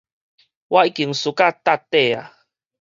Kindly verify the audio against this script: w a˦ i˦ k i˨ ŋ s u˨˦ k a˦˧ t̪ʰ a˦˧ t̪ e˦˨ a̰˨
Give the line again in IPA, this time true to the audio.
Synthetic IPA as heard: w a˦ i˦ k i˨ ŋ s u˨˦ k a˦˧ t̪ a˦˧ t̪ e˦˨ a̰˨